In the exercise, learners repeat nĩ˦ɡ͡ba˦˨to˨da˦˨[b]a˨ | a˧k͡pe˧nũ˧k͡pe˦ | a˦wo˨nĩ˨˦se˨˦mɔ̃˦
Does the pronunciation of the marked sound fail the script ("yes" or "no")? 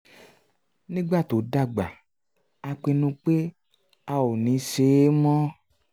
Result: yes